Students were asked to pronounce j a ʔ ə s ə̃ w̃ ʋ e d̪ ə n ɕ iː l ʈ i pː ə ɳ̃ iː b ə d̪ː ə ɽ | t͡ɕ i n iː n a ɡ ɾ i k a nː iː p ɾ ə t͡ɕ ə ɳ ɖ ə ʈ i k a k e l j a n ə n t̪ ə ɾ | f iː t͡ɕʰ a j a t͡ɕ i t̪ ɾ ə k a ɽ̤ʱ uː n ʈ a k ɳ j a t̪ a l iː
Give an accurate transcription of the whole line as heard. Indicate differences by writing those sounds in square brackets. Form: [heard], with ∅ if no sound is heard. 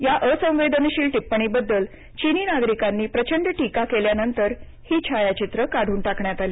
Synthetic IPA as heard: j a ʔ ə s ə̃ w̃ ʋ e d̪ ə n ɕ iː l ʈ i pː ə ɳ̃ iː b ə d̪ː ə [l] | t͡ɕ i n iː n a ɡ ɾ i k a nː iː p ɾ ə t͡ɕ ə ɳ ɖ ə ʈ i k a k e l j a n ə n t̪ ə ɾ | [h] iː t͡ɕʰ a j a t͡ɕ i t̪ ɾ ə k a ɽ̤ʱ uː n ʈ a k ɳ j a t̪ a l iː